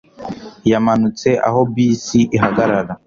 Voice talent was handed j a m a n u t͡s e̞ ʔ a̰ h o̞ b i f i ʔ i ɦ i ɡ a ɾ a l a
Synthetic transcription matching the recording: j a m a n u t͡s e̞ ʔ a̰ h o̞ b i s i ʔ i ɦ a ɡ a ɾ a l a